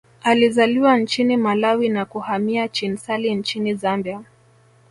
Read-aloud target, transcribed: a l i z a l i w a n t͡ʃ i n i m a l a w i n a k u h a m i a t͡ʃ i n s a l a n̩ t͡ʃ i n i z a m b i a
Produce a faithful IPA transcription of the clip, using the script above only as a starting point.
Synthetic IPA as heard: a l i z a l i w a n t͡ʃ i n i m a l a w i n a k u h a m i a t͡ʃ i n s a l i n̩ t͡ʃ i n i z a m b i a